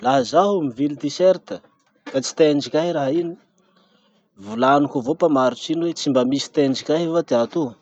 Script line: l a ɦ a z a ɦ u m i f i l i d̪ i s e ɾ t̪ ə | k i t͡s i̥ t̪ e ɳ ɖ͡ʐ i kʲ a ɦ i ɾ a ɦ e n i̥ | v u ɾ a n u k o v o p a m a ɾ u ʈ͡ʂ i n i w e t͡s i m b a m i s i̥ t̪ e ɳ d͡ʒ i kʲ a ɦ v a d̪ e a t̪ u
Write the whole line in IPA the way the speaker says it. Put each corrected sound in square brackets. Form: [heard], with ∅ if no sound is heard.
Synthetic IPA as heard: l a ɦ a z a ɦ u m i [v] i l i d̪ i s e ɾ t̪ ə | k [a] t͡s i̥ t̪ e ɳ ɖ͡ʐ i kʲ a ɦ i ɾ a ɦ [i] n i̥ | v u [l] a n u k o v o p a m a ɾ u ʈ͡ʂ i n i w e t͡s i m b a m i s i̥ t̪ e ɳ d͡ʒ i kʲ a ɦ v a d̪ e a t̪ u